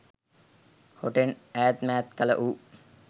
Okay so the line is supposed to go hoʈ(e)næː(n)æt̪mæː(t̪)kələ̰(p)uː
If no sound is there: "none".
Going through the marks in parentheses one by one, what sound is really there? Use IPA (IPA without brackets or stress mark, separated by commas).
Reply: e, none, t̪, ʔ